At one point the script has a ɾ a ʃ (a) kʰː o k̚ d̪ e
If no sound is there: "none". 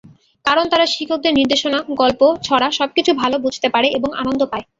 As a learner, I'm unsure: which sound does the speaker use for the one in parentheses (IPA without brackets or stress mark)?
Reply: i